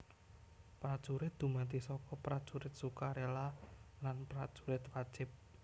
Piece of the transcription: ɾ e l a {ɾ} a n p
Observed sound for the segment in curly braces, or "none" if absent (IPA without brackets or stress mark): l